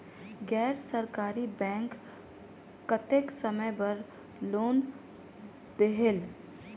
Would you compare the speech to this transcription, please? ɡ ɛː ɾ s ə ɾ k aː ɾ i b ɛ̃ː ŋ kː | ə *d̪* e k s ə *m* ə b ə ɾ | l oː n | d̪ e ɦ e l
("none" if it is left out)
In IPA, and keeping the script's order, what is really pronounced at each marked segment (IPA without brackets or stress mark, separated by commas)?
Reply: t̪, m